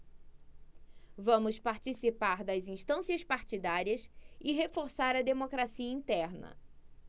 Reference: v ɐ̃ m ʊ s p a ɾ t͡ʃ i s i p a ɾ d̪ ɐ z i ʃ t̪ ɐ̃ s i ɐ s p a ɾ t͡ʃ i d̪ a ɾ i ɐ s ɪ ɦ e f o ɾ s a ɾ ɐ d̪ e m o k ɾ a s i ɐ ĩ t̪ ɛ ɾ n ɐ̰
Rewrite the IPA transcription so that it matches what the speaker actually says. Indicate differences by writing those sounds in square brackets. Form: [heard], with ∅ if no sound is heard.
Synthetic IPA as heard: v ɐ̃ m ʊ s p a ɾ t͡ʃ i s i p a ɾ d̪ ɐ z [ĩ] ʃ t̪ ɐ̃ s i ɐ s p a ɾ t͡ʃ i d̪ a ɾ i ɐ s ɪ ɦ e f o ɾ s a ɾ ɐ d̪ e m o k ɾ a s i ɐ ĩ t̪ ɛ ɾ n ɐ̰